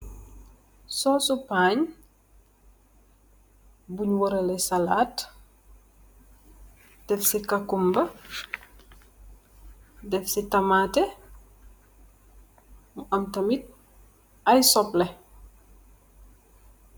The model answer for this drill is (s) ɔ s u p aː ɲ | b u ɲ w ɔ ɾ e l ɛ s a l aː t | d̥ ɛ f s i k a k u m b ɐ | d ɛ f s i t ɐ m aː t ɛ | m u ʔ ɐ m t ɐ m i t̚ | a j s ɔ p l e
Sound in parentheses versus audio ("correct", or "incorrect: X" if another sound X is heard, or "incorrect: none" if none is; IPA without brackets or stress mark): correct